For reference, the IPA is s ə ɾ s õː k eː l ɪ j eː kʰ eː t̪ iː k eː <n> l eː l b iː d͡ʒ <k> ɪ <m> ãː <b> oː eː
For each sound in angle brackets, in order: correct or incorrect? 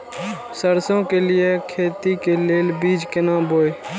incorrect: none, correct, incorrect: n, correct

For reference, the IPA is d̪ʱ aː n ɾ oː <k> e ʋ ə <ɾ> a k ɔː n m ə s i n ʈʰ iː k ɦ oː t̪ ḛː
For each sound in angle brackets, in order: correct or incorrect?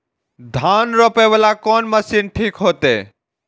incorrect: p, incorrect: l

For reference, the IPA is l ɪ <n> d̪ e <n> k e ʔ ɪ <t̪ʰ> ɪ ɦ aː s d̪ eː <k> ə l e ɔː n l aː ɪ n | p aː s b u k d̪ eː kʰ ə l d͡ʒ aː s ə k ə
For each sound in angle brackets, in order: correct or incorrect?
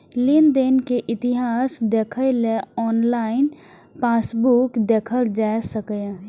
correct, correct, incorrect: t̪, incorrect: kʰ

